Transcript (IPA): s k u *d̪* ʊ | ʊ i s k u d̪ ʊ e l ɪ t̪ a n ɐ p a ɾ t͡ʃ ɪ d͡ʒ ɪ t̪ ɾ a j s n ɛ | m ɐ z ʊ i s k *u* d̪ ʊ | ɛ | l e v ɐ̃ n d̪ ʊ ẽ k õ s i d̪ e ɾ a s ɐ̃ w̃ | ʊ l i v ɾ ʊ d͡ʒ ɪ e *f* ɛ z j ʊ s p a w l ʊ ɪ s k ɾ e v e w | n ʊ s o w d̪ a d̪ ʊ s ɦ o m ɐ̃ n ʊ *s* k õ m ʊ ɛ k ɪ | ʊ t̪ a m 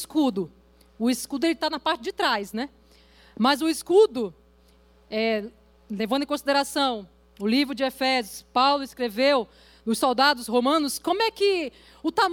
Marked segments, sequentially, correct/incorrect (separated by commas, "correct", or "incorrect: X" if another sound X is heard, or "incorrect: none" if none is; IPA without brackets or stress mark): correct, correct, correct, correct